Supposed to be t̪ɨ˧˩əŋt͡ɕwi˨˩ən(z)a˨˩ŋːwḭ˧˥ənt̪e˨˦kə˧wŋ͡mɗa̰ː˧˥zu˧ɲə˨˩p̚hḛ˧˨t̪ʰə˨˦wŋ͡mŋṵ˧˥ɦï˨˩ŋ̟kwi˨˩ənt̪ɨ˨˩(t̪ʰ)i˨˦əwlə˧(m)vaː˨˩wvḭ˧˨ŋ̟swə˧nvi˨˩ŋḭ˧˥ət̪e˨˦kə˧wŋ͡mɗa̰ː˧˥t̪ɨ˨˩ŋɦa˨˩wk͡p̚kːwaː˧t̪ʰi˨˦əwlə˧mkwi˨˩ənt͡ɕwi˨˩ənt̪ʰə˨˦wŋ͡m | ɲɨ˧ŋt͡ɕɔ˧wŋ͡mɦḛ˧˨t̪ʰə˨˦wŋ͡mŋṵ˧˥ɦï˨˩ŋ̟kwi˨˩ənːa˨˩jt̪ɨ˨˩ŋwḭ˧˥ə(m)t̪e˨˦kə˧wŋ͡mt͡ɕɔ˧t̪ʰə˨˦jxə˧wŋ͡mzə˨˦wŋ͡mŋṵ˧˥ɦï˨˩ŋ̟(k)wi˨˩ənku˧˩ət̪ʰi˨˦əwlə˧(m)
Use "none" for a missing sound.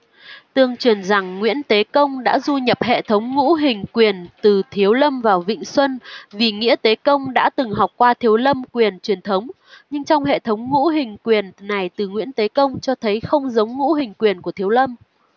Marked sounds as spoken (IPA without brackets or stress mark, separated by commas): z, t̪ʰ, m, n, k, m